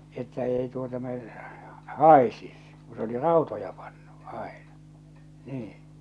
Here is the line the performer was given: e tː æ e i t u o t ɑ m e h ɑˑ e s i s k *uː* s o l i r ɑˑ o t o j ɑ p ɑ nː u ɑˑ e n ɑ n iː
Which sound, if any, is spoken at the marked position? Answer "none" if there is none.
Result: u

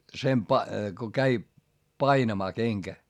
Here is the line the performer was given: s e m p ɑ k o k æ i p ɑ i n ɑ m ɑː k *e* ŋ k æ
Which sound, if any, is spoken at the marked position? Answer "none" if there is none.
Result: e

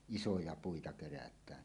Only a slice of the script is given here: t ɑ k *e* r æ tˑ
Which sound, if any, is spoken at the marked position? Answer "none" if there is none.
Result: e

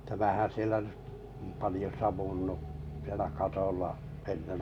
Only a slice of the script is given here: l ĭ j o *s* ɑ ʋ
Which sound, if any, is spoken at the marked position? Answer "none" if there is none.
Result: s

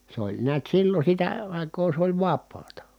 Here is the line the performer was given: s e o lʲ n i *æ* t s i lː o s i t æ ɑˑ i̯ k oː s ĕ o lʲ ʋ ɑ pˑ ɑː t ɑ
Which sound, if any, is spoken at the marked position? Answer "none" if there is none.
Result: æ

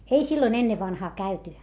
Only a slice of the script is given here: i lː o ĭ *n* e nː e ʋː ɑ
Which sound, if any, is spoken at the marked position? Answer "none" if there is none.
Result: n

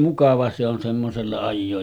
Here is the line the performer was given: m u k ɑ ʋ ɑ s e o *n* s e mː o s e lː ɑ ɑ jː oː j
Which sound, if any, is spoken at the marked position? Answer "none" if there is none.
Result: n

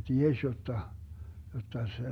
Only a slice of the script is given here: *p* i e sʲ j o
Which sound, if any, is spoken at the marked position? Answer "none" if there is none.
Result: t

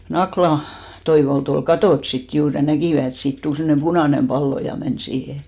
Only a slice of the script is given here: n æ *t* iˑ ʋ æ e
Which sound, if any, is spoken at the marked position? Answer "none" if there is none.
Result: k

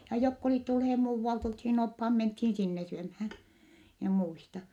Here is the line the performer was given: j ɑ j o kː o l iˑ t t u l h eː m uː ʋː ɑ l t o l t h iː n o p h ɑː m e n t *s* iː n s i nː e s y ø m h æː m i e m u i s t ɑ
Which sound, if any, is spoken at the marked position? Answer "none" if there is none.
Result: h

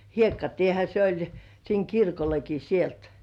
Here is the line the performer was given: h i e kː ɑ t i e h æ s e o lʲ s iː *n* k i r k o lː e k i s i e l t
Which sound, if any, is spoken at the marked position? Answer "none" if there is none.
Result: ŋ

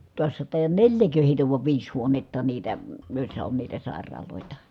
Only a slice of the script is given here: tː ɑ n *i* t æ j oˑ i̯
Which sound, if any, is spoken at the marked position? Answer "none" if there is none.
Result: iː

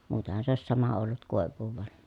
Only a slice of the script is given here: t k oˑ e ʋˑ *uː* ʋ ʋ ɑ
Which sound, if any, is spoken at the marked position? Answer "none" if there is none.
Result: uː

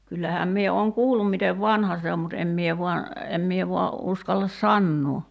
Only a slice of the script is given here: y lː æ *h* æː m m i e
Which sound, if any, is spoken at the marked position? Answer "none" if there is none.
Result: h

